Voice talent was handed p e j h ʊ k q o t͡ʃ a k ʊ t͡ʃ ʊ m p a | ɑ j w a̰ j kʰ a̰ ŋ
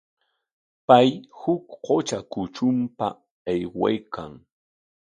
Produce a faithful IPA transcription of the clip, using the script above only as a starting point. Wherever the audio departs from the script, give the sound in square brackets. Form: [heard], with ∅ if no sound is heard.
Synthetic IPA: p [a] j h ʊ k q o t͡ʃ a k ʊ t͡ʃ ʊ m p a | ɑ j w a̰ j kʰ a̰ ŋ